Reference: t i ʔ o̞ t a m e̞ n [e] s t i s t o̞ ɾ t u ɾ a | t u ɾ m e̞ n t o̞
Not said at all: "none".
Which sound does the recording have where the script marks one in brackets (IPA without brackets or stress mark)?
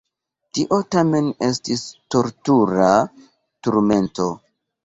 e